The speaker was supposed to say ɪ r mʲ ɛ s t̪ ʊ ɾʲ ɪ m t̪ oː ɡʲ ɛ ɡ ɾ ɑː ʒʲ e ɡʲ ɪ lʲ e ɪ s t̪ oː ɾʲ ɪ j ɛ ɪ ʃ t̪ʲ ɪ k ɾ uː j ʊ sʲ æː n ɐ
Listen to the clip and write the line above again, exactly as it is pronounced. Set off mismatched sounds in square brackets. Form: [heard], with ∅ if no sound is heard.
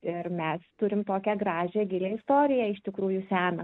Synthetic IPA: ɪ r mʲ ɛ s t̪ ʊ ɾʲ ɪ m t̪ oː [kʲ] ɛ ɡ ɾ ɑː ʒʲ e ɡʲ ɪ lʲ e ɪ s t̪ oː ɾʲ ɪ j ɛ ɪ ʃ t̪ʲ ɪ k ɾ uː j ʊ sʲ æː n ɐ